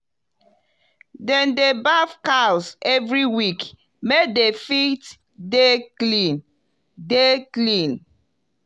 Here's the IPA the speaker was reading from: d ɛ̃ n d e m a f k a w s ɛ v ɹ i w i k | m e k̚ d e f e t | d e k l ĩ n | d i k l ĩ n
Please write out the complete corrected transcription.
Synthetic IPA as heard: d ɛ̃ n d e b a f k a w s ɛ v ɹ i w i k | m e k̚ d e f i t | d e k l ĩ n | d e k l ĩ n